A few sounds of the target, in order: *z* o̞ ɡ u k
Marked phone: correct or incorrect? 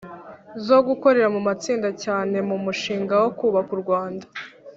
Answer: correct